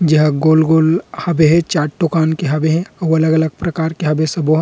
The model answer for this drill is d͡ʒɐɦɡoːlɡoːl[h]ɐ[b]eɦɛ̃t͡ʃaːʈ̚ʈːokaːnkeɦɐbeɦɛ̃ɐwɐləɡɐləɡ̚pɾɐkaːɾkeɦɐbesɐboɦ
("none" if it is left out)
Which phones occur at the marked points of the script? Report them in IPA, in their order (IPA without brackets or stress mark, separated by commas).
h, b